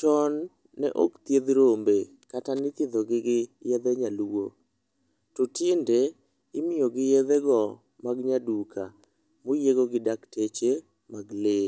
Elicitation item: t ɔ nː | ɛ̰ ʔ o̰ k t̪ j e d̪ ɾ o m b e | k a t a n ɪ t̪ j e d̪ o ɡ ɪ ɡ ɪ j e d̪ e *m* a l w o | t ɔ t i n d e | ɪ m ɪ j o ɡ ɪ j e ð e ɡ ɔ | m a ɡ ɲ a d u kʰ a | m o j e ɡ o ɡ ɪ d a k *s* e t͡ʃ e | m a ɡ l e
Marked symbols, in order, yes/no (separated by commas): no, no